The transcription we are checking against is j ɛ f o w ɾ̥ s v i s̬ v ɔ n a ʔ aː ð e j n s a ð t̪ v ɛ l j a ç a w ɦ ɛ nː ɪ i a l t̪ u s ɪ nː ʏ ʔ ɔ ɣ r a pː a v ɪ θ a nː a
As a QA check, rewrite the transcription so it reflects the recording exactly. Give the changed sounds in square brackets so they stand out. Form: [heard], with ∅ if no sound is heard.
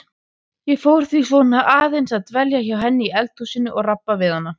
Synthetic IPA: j ɛ f o w ɾ̥ [θ] v i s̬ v ɔ n a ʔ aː ð e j n s a ð t̪ v ɛ l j a ç a w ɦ ɛ nː ɪ i [ɛ] l t̪ u s ɪ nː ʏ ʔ ɔ ɣ r a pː a v ɪ [ð] a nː a